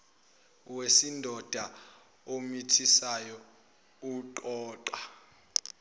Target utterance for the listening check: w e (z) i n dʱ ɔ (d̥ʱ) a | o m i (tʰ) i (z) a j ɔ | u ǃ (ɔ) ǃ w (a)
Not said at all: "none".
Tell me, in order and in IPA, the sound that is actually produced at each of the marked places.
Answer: s, d̥ʱ, tʰ, s, ɔː, a

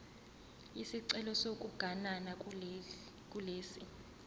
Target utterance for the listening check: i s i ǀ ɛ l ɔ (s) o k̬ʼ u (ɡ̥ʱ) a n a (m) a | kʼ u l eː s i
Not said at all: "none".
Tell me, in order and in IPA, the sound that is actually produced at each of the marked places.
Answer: s, ɡ̥ʱ, n

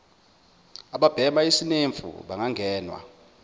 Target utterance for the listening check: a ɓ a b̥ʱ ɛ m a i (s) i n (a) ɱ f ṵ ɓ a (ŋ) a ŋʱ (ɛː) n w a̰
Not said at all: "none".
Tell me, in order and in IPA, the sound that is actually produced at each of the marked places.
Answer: s, e, ŋ, ɛː

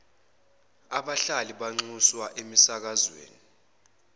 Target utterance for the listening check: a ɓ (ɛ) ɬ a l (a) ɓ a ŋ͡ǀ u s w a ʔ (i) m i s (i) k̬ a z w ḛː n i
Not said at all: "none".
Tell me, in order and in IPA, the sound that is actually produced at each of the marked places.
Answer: a, i, e, a

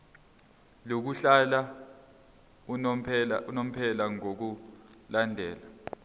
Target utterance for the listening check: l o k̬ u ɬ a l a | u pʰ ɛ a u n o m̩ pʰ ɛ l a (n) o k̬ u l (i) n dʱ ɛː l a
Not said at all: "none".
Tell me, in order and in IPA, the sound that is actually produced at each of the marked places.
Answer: ŋ, a

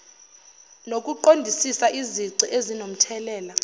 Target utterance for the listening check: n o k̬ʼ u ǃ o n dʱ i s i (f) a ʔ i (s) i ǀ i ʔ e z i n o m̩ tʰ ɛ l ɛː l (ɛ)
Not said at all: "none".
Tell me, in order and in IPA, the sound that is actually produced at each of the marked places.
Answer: s, z, a

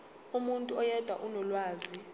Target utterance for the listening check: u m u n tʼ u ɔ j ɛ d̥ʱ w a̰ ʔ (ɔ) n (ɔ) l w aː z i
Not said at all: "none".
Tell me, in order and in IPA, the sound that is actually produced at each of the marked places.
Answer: u, ɔ

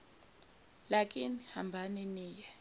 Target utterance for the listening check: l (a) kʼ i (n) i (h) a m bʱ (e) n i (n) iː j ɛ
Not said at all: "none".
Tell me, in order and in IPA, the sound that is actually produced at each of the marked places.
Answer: a, n, h, a, n

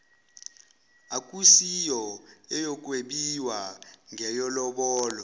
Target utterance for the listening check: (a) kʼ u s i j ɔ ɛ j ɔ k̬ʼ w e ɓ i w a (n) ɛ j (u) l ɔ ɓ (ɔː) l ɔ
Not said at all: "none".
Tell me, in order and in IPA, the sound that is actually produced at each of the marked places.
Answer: a, ŋ, ɔ, ɔː

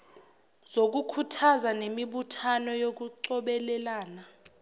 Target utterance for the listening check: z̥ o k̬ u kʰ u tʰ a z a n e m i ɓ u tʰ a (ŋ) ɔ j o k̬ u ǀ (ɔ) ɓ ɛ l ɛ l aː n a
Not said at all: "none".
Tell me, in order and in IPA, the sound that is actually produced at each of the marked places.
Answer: n, ɔ

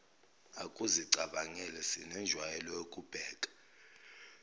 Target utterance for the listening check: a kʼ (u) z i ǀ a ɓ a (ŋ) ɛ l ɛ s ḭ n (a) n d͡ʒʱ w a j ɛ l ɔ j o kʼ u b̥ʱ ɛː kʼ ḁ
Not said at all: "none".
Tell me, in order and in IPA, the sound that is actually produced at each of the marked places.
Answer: u, ŋ, ɛ

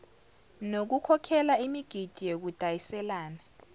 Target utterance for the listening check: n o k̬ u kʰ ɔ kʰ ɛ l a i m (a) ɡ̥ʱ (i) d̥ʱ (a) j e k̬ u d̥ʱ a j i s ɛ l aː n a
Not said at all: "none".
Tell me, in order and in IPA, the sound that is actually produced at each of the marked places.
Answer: i, i, i

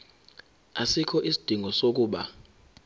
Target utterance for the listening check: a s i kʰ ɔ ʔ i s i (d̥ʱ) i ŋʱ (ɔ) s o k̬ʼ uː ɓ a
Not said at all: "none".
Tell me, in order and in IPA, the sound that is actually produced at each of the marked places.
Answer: d̥ʱ, ɔ

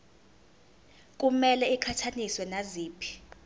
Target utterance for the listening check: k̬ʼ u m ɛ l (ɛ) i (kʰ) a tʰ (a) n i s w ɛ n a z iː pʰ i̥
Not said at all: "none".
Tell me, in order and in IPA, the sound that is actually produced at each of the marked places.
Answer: ɛ, kʰ, a

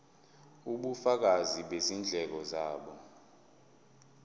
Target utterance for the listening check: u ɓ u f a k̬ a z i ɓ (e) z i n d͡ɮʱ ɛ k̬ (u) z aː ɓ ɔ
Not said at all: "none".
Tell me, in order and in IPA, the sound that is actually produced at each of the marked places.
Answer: e, ɔ

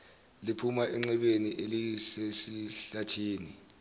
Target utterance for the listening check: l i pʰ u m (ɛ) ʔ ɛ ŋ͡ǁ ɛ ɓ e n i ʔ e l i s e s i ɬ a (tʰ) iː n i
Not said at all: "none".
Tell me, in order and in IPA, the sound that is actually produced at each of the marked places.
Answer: a, tʰ

